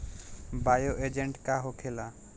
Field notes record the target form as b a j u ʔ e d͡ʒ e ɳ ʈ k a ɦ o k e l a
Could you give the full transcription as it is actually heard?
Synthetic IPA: b a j o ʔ e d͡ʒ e ɳ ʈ k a ɦ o kʰ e l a